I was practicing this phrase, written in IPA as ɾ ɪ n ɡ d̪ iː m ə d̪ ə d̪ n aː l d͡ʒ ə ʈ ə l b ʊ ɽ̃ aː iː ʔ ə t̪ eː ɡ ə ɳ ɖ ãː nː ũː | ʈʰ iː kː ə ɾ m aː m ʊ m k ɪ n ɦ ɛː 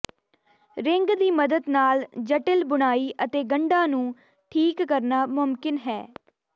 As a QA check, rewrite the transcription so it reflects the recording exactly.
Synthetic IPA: ɾ ɪ ŋ ɡ d̪ iː m ə d̪ ə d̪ n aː l d͡ʒ ə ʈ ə l b ʊ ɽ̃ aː iː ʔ ə t̪ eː ɡ ə ɳ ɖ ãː n ũː | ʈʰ iː kː ə ɾ n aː m ʊ m k ɪ n ɦ ɛː

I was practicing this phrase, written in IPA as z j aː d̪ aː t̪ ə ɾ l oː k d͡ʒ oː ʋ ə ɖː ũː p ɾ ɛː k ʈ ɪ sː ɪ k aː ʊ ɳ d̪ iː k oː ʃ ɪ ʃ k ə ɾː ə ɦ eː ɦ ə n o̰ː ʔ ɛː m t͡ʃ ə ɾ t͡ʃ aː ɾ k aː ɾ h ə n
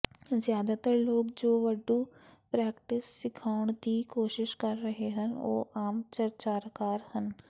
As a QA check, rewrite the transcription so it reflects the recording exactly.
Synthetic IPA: z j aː d̪ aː t̪ ə ɾ l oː k d͡ʒ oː ʋ ə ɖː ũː p ɾ ɛː k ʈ ɪ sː ɪ kʰ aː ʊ ɳ d̪ iː k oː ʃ ɪ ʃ k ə ɾː ə ɦ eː ɦ ə n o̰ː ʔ aː m t͡ʃ ə ɾ t͡ʃ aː ɾ k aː ɾ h ə n

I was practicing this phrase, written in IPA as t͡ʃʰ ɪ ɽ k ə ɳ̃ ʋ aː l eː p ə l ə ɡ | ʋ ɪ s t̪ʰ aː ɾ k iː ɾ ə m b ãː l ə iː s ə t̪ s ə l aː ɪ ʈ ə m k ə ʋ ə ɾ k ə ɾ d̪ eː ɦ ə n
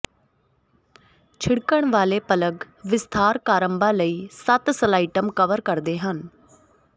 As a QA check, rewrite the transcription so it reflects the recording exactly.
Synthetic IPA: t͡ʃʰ ɪ ɽ k ə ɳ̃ ʋ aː l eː p ə l ə ɡ | ʋ ɪ s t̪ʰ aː ɾ k aː ɾ ə m b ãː l ə iː s ə t̪ s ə l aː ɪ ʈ ə m k ə ʋ ə ɾ k ə ɾ d̪ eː ɦ ə n

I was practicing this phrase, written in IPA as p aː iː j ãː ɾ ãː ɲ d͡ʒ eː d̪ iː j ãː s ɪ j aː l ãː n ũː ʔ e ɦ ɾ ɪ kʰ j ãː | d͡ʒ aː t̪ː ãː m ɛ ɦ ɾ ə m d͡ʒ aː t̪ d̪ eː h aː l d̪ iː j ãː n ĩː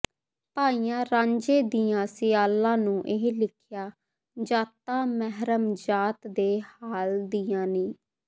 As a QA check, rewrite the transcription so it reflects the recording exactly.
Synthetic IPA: p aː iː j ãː ɾ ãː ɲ d͡ʒ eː d̪ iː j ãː s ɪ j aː l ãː n ũː ʔ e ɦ l ɪ kʰ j aː | d͡ʒ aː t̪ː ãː m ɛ ɦ ɾ ə m d͡ʒ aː t̪ d̪ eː h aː l d̪ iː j ãː n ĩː

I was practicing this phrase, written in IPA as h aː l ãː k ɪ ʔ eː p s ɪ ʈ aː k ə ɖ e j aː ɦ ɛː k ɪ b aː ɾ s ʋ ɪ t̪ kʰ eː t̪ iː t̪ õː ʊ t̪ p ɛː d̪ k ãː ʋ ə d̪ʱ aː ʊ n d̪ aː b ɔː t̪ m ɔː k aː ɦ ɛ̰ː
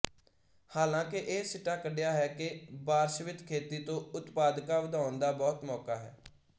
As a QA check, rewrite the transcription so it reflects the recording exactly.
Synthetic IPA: h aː l ãː k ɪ ʔ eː s ɪ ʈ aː k ə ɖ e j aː ɦ ɛː k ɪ b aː ɾ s ʋ ɪ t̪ kʰ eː t̪ iː t̪ õː ʊ t̪ p aː d̪ k aː ʋ ə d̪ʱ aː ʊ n d̪ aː b ɔː t̪ m ɔː k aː ɦ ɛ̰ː

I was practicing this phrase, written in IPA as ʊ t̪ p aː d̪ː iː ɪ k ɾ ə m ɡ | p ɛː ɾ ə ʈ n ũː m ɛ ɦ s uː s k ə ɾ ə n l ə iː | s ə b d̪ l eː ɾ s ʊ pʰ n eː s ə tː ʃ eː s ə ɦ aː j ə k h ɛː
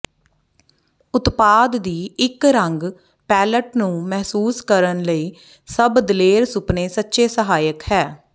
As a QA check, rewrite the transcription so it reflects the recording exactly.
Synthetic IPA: ʊ t̪ p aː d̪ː iː ɪ k ɾ ə ŋ ɡ | p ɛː l ə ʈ n ũː m ɛ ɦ s uː s k ə ɾ ə n l ə iː | s ə b d̪ l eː ɾ s ʊ p n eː s ə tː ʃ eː s ə ɦ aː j ə k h ɛː

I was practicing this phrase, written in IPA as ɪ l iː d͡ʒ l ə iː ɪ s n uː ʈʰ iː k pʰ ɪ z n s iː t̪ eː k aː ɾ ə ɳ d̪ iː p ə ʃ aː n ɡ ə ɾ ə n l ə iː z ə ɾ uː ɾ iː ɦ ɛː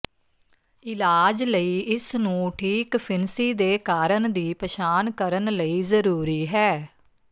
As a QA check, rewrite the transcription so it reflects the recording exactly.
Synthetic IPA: ɪ l aː d͡ʒ l ə iː ɪ s n ũː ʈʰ iː k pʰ ɪ n s iː d̪ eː k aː ɾ ə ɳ d̪ iː p ə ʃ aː n k ə ɾ ə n l ə iː z ə ɾ uː ɾ iː ɦ ɛː

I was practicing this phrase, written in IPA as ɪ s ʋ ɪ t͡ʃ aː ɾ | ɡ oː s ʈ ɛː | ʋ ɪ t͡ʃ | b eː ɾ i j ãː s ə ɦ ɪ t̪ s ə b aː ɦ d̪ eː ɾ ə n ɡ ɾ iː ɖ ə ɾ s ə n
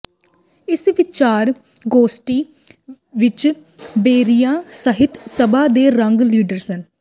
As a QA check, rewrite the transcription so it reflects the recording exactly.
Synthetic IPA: ɪ s ʋ ɪ t͡ʃ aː ɾ | ɡ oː s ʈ iː | ʋ ɪ t͡ʃ | b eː ɾ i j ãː s ə ɦ ɪ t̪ s ə b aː d̪ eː ɾ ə ŋ ɡ l iː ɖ ə ɾ s ə n

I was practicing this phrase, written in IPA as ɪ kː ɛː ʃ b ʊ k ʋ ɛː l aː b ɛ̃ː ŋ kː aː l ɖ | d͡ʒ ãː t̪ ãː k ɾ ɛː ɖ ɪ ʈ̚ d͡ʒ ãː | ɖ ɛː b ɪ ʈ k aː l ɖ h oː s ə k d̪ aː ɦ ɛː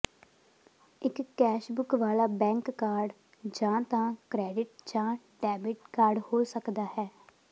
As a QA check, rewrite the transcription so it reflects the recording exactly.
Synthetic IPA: ɪ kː ɛː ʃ b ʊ k ʋ aː l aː b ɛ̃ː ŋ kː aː ɾ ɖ | d͡ʒ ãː t̪ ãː k ɾ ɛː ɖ ɪ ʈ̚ d͡ʒ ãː | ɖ ɛː b ɪ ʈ k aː ɾ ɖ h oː s ə k d̪ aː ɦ ɛː

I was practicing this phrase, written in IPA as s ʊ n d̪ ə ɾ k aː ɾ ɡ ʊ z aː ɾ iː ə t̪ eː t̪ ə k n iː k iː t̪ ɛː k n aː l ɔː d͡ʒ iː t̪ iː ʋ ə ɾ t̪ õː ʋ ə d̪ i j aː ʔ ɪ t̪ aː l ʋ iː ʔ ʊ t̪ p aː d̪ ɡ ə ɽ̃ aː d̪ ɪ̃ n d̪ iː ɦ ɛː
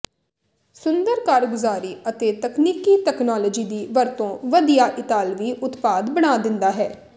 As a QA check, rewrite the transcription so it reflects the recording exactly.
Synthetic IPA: s ʊ n d̪ ə ɾ k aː ɾ ɡ ʊ z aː ɾ iː ə t̪ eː t̪ ə k n iː k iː t̪ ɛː k n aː l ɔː d͡ʒ iː d̪ iː ʋ ə ɾ t̪ õː ʋ ə d̪ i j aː ʔ ɪ t̪ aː l ʋ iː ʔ ʊ t̪ p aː d̪ b ə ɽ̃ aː d̪ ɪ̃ n d̪ aː ɦ ɛː

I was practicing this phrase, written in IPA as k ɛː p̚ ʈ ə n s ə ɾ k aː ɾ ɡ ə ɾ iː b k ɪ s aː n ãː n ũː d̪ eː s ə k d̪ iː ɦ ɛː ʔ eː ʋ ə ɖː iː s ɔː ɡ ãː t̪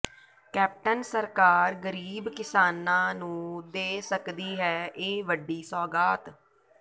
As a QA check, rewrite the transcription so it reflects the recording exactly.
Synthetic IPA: k ɛː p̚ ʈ ə n s ə ɾ k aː ɾ ɡ ə ɾ iː b k ɪ s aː n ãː n ũː d̪ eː s ə k d̪ iː ɦ ɛː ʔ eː ʋ ə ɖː iː s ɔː ɡ aː t̪

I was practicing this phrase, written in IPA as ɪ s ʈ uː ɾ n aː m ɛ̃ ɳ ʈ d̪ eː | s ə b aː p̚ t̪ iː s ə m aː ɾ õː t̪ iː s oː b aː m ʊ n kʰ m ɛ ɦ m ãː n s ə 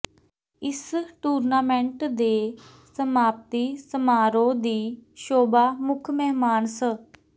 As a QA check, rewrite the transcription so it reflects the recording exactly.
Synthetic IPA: ɪ s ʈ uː ɾ n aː m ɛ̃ ɳ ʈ d̪ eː | s ə m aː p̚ t̪ iː s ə m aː ɾ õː d̪ iː ʃ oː b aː m ʊ kʰ m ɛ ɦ m aː n s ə

